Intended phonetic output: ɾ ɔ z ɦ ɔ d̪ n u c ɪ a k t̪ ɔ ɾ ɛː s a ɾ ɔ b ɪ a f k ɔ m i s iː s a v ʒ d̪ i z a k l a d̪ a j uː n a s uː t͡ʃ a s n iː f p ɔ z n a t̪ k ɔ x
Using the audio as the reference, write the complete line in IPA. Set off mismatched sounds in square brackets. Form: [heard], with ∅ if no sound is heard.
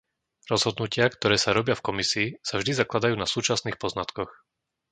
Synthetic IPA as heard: ɾ ɔ z ɦ ɔ d̪ n u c ɪ a k t̪ ɔ ɾ ɛː s a ɾ ɔ b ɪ a f k ɔ m i s iː s a v ʒ d̪ i z a k l a d̪ a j uː n a s uː t͡ʃ a s n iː [x] p ɔ z n a t̪ k ɔ x